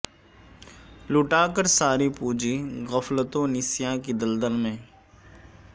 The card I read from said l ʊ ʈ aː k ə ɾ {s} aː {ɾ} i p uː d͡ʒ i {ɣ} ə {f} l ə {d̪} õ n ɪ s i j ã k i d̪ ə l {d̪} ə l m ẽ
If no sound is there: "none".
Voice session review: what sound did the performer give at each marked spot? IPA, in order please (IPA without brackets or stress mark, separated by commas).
s, ɾ, ɣ, f, t̪, d̪